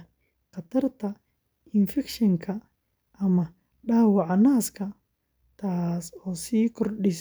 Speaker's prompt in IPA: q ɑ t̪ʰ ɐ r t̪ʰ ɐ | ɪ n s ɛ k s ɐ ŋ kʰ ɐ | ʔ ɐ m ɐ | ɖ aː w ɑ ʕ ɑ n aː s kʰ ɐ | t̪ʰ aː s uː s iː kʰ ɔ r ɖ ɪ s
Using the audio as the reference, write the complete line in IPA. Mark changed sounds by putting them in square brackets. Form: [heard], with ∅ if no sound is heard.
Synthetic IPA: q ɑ t̪ʰ ɐ r t̪ʰ ɐ | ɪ n [f] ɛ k [ʃ] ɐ ŋ kʰ ɐ | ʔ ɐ m ɐ | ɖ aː w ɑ ʕ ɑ n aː s kʰ ɐ | t̪ʰ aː s [ɔː] s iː kʰ ɔ r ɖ ɪ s